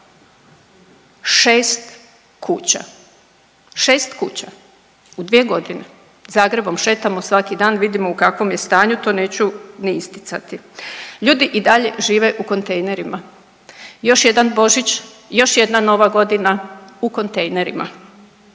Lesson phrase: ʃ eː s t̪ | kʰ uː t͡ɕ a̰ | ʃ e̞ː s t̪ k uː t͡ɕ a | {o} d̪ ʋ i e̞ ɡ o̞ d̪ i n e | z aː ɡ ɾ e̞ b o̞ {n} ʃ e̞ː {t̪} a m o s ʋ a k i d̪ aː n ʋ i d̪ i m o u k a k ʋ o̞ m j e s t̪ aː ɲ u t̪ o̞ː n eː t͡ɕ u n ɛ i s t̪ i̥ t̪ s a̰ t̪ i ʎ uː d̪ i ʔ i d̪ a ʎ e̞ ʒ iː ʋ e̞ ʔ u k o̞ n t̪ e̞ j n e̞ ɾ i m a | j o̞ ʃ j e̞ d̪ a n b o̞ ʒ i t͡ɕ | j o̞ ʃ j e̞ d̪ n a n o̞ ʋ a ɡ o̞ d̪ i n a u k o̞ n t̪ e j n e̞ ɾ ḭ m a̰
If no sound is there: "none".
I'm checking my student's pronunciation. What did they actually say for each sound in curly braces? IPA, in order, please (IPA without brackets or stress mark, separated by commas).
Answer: u, m, t̪